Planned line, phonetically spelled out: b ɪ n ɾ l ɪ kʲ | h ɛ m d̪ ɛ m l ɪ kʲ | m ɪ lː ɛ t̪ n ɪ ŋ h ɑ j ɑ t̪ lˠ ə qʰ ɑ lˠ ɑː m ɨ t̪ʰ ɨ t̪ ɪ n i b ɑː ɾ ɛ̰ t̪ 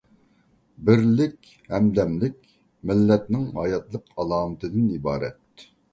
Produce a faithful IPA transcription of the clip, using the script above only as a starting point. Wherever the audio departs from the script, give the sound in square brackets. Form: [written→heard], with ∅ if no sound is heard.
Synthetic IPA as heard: b ɪ [n→∅] ɾ l ɪ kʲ | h ɛ m d̪ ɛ m l ɪ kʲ | m ɪ lː ɛ t̪ n ɪ ŋ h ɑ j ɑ t̪ lˠ ə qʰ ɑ lˠ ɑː m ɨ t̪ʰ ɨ [t̪→d̪] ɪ n i b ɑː ɾ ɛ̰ t̪